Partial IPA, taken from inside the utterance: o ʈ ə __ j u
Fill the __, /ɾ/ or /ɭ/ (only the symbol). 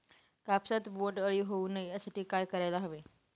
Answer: ɭ